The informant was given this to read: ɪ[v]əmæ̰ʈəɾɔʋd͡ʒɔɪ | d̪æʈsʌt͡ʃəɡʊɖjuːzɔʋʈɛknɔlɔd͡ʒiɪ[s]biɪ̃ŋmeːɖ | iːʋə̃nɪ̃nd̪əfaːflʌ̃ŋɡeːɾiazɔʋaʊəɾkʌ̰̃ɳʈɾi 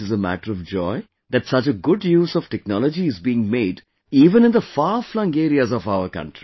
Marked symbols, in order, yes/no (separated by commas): no, no